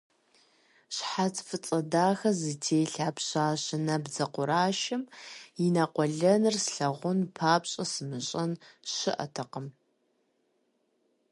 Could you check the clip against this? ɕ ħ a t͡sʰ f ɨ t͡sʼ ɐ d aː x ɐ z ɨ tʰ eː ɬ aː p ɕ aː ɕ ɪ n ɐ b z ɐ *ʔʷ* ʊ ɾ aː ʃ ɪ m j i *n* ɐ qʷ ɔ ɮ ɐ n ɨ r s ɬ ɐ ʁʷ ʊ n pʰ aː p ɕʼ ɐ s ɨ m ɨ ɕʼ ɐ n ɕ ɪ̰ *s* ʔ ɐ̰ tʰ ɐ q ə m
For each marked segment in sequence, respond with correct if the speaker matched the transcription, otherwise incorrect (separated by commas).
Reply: incorrect, correct, incorrect